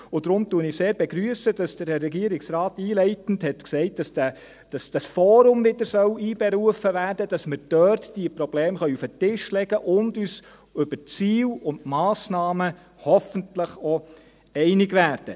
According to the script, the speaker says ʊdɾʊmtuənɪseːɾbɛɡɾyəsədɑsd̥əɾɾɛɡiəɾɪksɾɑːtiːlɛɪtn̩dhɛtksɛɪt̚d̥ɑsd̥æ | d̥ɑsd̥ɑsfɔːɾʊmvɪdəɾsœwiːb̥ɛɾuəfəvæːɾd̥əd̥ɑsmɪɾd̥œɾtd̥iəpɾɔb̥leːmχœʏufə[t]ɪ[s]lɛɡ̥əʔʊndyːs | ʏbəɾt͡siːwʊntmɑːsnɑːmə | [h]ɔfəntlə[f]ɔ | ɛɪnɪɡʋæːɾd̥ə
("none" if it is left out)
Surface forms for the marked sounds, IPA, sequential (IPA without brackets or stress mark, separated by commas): t, ʃ, h, χ